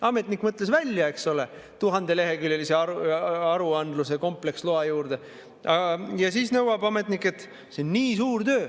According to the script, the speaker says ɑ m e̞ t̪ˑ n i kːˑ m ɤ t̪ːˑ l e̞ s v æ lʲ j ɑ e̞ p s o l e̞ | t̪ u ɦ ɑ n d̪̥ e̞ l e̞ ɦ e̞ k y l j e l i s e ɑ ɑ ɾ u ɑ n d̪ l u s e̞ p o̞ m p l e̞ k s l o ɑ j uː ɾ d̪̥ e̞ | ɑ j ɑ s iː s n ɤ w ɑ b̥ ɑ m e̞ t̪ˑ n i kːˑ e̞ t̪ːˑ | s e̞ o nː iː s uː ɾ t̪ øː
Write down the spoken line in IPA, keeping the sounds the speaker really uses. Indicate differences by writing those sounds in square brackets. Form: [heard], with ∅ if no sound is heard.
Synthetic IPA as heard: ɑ m e̞ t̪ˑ n i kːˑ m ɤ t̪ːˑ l e̞ s v æ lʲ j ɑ e̞ [k] s o l e̞ | t̪ u ɦ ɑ n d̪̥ e̞ l e̞ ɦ e̞ k y l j e l i s e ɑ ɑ ɾ u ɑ n d̪ l u s e̞ [k] o̞ m p l e̞ k s l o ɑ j uː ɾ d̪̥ e̞ | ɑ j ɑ s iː s n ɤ w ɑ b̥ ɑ m e̞ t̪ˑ n i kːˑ e̞ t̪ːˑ | s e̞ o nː iː s uː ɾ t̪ øː